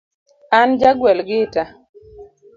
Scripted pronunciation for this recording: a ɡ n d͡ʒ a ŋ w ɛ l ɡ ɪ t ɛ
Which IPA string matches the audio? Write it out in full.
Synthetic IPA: a n d͡ʒ a ɡ w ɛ l ɡ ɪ t a